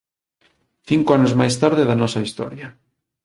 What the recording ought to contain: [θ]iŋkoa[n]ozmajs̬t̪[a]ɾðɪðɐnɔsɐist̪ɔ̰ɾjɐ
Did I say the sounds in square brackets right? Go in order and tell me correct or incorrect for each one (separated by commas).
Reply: correct, correct, correct